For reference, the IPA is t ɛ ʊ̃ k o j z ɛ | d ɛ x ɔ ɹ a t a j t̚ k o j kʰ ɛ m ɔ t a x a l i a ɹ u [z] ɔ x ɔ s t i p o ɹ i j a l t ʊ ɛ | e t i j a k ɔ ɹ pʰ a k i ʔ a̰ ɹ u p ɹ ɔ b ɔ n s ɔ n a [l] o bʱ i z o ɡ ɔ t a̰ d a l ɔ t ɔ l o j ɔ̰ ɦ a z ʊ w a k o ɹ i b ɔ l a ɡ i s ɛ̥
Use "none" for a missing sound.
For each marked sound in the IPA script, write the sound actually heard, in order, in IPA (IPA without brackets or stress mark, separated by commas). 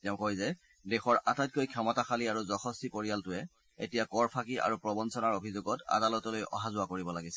z, ɹ